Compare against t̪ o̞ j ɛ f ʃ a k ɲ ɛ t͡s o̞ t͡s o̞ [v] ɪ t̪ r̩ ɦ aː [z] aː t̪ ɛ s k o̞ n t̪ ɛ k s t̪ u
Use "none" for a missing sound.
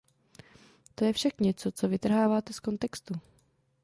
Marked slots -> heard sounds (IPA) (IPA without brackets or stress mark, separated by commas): v, v